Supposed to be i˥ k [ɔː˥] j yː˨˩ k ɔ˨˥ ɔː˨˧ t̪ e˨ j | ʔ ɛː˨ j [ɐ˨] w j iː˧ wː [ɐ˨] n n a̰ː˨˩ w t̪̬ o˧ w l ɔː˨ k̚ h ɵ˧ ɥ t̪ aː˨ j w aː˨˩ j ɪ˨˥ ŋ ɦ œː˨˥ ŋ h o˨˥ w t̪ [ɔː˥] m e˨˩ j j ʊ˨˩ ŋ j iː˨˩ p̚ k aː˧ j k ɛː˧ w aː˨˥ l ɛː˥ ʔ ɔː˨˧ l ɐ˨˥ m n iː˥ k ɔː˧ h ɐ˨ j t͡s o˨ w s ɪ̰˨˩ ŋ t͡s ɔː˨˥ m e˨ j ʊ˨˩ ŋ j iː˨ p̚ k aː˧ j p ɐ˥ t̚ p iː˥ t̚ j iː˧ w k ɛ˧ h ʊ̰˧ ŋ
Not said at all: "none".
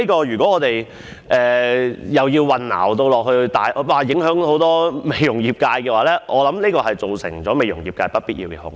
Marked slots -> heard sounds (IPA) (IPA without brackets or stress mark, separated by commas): ɔː˧, ɐ˨, ɐ˨, ɔː˥